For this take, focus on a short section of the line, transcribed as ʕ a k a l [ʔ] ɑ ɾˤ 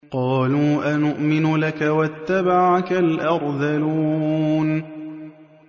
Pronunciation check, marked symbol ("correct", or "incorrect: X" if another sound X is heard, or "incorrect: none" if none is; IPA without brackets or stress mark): correct